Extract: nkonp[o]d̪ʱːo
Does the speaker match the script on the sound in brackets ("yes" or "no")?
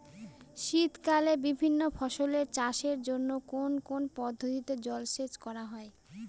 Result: no